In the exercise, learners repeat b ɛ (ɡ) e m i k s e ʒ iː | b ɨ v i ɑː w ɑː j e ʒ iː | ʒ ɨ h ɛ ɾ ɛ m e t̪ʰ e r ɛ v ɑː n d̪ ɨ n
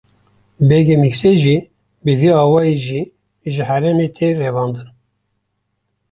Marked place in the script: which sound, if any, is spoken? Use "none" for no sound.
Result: ɡ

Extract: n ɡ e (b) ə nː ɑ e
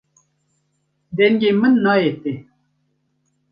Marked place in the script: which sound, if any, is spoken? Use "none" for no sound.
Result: m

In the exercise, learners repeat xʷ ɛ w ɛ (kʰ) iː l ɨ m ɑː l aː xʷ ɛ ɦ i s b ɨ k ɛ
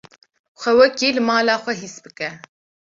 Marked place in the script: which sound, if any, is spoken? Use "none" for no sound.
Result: k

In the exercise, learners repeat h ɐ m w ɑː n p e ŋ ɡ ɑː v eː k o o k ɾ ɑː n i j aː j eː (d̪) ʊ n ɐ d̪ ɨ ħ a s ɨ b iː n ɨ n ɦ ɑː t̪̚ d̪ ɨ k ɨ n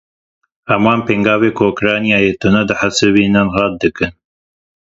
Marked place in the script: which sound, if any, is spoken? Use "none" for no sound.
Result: t̪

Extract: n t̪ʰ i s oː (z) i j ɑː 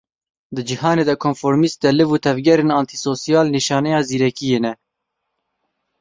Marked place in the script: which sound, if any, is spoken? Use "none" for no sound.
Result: s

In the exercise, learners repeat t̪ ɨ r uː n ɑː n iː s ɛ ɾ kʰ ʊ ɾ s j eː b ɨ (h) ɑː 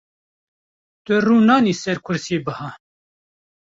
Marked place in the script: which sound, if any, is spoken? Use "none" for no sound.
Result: h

